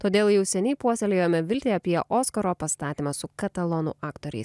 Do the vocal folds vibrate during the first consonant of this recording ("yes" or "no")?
no